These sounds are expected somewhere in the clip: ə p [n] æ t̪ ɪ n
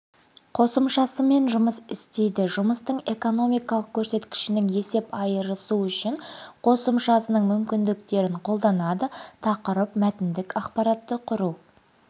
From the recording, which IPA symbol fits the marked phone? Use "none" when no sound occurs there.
m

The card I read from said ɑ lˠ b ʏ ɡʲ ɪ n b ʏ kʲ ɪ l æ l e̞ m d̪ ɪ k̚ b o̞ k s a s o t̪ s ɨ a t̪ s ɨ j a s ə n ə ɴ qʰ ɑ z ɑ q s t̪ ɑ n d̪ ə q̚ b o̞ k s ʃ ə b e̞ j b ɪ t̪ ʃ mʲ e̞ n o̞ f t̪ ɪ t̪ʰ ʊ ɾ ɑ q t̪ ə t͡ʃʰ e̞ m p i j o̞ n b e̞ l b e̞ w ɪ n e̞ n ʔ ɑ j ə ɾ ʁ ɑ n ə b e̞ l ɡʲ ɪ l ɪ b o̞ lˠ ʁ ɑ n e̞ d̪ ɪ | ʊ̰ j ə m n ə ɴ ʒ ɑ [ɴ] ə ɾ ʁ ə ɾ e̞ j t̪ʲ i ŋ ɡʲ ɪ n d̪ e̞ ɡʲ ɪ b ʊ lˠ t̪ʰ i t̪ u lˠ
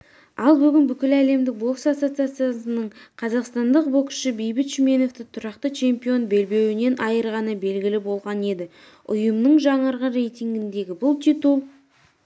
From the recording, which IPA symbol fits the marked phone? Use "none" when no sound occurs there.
ɴ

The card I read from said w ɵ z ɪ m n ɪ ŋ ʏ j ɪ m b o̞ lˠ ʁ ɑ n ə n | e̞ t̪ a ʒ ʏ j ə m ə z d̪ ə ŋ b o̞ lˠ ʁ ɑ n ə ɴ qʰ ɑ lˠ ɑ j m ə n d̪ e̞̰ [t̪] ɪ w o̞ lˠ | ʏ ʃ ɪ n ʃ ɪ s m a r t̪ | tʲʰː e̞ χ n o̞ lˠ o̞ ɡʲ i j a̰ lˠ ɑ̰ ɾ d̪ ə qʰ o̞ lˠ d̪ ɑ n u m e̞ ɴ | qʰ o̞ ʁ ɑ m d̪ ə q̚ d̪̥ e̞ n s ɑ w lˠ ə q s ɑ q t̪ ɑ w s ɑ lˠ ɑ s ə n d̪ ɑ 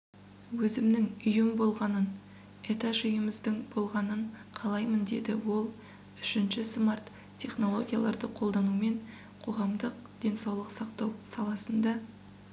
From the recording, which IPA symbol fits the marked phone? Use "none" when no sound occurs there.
d̪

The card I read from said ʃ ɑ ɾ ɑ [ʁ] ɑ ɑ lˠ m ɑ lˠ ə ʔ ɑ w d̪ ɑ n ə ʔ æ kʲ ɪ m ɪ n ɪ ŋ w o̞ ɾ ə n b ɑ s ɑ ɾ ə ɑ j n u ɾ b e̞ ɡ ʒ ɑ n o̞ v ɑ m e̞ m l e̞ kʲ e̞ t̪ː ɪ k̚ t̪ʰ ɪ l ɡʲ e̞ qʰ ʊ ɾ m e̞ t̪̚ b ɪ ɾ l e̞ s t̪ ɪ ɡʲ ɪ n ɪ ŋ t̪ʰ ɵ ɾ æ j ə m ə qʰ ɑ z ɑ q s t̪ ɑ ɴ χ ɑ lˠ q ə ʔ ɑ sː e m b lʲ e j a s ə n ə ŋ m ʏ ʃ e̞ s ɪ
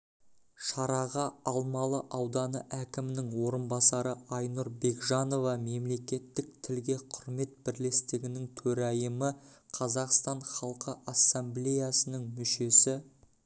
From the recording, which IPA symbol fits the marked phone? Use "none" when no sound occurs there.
ʁ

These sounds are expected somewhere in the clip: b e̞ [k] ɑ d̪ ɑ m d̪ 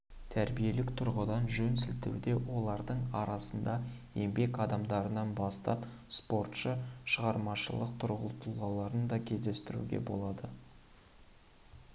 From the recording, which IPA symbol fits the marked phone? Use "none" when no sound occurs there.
k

